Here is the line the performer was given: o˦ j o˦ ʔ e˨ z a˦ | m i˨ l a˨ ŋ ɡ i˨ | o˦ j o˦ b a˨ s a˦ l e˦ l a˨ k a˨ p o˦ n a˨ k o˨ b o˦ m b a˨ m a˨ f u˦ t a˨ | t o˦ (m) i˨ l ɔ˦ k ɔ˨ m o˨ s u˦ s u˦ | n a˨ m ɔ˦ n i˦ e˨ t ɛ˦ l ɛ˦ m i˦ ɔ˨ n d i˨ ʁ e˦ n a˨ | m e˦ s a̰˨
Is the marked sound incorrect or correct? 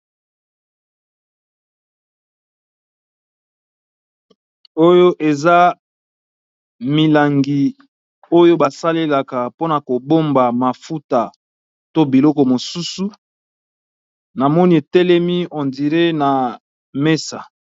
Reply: incorrect